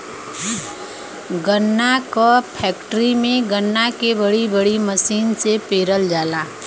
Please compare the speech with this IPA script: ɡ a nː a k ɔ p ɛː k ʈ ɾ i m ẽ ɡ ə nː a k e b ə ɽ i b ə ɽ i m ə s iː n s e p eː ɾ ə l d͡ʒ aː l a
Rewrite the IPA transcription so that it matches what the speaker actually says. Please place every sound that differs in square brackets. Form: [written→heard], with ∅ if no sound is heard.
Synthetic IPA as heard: ɡ [a→ə] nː a k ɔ [p→pʰ] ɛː k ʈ ɾ i m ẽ ɡ ə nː a k e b ə ɽ i b ə ɽ i m ə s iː n s e p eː ɾ ə l d͡ʒ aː l a